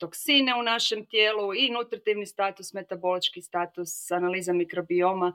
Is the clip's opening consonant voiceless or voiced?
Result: voiceless